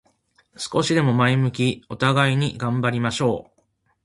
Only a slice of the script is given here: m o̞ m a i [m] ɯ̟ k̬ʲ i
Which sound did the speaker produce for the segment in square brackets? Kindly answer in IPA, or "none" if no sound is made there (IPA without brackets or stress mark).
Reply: m